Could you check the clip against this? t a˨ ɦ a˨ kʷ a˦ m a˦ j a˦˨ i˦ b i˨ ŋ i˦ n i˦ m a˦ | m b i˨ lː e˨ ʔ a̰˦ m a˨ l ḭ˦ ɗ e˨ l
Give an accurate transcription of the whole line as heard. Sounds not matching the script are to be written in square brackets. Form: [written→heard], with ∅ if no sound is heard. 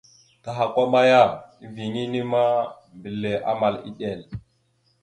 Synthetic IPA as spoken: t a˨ ɦ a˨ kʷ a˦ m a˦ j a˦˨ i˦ [b→v] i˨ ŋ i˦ n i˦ m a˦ | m b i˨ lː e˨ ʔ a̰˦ m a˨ l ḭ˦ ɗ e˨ l